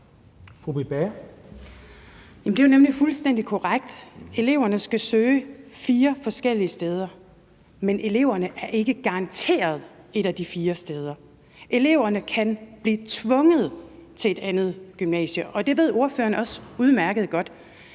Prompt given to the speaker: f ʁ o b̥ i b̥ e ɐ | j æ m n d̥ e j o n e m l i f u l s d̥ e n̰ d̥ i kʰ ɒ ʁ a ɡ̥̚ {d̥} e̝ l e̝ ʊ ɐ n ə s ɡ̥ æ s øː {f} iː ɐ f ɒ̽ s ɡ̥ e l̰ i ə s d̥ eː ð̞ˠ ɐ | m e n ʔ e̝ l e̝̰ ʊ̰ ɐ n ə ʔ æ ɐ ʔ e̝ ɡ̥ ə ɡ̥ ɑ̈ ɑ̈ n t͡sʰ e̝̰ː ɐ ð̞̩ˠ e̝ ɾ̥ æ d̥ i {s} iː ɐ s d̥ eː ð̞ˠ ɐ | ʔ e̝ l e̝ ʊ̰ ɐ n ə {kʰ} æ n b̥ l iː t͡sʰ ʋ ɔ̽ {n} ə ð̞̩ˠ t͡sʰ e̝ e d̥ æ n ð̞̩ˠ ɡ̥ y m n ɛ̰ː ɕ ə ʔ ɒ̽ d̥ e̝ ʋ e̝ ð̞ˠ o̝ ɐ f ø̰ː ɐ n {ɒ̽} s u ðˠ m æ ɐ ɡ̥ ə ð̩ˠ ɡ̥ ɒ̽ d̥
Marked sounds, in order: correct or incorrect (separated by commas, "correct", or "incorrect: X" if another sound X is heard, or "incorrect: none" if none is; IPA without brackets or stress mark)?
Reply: correct, correct, incorrect: f, correct, incorrect: ŋ, correct